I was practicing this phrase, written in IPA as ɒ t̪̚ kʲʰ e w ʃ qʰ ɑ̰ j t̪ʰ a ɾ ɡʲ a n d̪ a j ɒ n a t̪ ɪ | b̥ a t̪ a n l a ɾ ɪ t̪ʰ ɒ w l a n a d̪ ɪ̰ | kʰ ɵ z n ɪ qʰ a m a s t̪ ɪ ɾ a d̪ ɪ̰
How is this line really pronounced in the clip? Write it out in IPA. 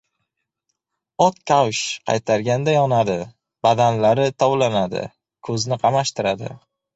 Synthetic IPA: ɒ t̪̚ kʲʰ a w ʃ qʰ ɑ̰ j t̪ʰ a ɾ ɡʲ a n d̪ a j ɒ n a d̪ ɪ | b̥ a d̪ a n l a ɾ ɪ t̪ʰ ɒ w l a n a d̪ ɪ̰ | kʰ ɵ z n ɪ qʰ ɑ m a ʃ t̪ ɪ ɾ a d̪ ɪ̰